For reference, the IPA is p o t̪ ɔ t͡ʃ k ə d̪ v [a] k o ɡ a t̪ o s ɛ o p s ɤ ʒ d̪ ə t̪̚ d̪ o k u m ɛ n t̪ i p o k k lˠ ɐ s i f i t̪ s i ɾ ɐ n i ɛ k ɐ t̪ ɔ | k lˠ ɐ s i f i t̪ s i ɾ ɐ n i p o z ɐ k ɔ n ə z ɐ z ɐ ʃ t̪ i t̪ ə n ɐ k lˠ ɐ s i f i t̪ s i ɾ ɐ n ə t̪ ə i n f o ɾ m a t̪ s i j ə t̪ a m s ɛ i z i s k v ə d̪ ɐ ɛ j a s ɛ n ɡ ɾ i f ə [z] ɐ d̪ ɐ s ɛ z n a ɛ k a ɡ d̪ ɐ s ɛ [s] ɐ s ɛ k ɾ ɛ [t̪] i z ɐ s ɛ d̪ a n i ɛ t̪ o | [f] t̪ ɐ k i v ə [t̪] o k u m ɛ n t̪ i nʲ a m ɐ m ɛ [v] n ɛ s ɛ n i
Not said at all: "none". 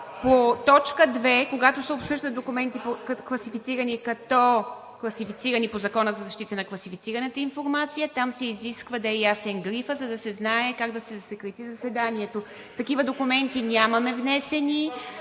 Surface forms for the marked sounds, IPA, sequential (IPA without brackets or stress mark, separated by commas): ɛ, z, z, t̪, f, d̪, v